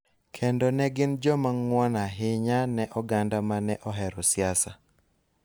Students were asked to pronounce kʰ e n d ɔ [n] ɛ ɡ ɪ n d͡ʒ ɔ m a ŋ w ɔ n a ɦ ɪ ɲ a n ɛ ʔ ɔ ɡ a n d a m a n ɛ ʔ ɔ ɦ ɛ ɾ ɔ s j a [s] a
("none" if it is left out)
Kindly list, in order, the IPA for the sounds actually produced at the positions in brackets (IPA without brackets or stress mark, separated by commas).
n, s